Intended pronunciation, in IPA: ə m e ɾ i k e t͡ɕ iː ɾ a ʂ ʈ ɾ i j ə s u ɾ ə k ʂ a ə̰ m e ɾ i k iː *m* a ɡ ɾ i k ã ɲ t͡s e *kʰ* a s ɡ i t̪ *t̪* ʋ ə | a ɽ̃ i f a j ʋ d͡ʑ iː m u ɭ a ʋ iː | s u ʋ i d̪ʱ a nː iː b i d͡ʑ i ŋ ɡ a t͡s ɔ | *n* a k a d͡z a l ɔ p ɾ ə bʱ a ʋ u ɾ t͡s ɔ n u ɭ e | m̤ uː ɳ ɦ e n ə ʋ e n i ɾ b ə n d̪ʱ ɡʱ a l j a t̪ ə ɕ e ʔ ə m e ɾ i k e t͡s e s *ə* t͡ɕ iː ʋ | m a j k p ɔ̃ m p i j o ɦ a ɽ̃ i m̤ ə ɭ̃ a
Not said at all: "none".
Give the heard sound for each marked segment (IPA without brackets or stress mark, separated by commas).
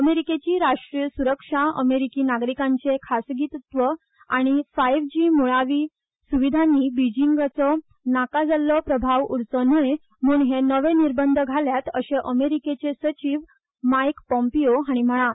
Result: n, kʰ, t̪, n, ə